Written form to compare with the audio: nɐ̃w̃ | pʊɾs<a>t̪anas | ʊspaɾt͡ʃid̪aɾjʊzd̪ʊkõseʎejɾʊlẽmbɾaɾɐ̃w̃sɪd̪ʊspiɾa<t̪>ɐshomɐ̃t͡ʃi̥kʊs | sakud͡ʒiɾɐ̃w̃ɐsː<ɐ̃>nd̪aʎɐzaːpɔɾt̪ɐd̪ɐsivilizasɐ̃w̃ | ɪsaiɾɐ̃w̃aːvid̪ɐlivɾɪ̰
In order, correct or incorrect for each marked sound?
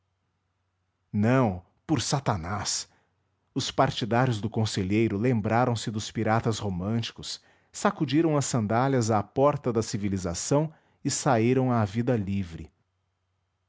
correct, correct, correct

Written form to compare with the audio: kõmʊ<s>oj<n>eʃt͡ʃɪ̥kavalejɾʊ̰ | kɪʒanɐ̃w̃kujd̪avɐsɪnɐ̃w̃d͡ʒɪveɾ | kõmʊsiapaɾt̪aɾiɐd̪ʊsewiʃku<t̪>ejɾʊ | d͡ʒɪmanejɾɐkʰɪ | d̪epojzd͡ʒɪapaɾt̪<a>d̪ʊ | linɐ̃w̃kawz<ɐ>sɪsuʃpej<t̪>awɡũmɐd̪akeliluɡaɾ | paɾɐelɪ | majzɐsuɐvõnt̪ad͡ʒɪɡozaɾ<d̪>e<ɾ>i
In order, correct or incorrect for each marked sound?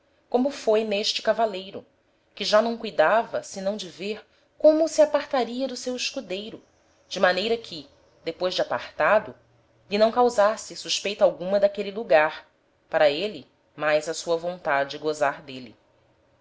incorrect: f, correct, incorrect: d̪, correct, incorrect: a, correct, correct, incorrect: l

